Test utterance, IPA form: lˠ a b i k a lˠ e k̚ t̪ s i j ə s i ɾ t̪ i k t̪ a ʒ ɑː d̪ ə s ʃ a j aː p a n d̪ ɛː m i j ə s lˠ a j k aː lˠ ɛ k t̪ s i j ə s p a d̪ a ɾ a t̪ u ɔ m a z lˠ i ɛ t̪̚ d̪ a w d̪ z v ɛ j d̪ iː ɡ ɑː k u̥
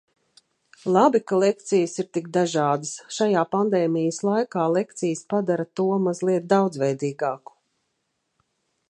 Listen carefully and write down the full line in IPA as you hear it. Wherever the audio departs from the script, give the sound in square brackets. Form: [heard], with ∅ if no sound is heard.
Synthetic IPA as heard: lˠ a b i k a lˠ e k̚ t̪ s i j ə s i ɾ t̪ i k [d̪] a ʒ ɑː d̪ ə s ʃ a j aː p a n d̪ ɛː m i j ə s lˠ a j k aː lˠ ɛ k t̪ s i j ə s p a d̪ a ɾ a t̪ u ɔ m a z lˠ i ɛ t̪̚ d̪ a w d̪ z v ɛ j d̪ iː ɡ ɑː k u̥